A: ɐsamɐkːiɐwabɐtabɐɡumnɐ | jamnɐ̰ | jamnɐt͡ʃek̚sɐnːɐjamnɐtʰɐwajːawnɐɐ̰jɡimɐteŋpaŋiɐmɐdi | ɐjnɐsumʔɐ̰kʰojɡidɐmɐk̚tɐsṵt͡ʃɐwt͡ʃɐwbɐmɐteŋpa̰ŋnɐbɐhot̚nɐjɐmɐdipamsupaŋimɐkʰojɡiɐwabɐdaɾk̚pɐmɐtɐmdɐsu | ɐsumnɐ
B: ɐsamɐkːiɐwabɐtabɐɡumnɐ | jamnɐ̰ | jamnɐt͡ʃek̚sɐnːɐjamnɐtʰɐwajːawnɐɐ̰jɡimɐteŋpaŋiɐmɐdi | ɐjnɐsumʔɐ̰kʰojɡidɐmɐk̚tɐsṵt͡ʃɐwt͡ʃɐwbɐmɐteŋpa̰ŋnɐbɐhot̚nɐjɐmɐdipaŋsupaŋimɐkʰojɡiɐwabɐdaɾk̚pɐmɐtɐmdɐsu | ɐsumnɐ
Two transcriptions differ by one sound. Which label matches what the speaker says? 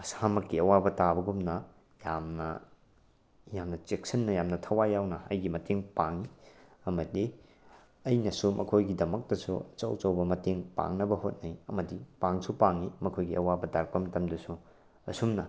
B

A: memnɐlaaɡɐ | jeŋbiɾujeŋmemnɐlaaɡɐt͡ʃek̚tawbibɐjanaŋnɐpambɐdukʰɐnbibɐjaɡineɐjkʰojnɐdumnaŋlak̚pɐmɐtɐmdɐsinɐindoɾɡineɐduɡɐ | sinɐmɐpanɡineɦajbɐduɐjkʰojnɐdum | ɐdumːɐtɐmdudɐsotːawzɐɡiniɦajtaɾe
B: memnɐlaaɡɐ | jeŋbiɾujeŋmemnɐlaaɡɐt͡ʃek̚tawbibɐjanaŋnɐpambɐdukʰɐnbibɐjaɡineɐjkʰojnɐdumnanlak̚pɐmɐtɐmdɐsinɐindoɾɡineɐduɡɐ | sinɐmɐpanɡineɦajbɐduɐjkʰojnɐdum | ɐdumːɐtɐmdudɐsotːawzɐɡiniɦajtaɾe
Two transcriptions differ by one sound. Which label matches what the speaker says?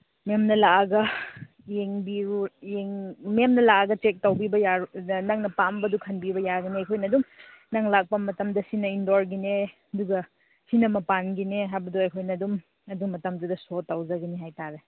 A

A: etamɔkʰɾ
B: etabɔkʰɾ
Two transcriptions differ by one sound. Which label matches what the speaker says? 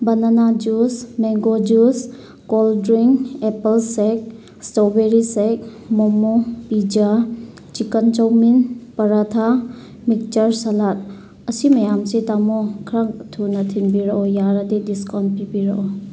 A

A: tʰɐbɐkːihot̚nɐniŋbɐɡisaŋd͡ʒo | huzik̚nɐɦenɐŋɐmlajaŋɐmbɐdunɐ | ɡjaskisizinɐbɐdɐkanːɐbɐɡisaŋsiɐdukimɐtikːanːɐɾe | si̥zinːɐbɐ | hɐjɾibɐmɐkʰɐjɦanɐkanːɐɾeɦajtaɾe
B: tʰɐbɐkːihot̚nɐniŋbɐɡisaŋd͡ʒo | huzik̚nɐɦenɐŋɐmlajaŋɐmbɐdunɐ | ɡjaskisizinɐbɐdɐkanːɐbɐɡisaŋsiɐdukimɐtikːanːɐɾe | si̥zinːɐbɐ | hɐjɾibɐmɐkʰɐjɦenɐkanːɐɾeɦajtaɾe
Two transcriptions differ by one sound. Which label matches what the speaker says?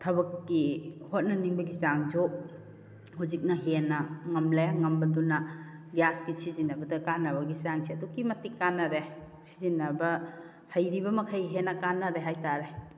B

